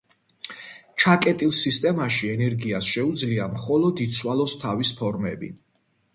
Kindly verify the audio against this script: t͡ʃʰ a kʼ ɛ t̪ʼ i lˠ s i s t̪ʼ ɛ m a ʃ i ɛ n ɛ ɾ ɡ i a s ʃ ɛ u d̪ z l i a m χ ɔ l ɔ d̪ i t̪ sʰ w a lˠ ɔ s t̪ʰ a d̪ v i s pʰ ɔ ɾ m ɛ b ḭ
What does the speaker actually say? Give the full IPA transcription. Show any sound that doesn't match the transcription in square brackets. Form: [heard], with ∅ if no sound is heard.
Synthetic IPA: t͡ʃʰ a kʼ ɛ t̪ʼ i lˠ s i s t̪ʼ ɛ m a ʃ i ɛ n ɛ ɾ ɡ i a s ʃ ɛ u d̪ z l i a m χ ɔ l ɔ d̪ i t̪ sʰ w a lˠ ɔ s t̪ʰ a [∅] v i s pʰ ɔ ɾ m ɛ b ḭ